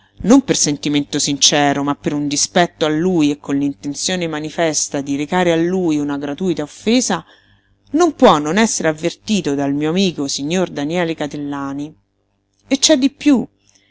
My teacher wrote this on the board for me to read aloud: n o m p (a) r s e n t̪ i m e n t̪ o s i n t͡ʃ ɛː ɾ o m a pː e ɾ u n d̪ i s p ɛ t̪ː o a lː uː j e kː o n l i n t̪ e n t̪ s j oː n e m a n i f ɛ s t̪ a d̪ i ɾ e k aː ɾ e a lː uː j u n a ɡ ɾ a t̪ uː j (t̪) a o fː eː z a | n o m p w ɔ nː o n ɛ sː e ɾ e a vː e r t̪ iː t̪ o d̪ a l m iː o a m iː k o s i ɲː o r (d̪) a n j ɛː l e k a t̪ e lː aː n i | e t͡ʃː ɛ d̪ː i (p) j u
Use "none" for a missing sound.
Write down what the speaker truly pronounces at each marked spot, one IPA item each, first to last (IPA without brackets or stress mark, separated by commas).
e, t̪, d̪, p